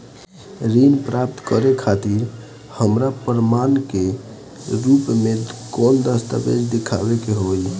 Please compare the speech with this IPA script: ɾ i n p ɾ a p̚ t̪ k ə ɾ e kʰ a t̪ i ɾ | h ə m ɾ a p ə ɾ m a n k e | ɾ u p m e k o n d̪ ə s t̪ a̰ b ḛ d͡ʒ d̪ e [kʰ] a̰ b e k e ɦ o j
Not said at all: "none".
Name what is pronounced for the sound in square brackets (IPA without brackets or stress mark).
kʰ